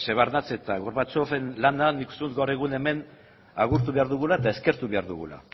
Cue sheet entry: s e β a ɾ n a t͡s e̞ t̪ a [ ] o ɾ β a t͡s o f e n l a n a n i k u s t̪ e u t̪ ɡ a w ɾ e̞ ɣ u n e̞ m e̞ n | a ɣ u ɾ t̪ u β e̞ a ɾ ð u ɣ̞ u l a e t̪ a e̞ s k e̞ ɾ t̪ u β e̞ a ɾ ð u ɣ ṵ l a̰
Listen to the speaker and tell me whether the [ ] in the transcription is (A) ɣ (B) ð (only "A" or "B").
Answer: A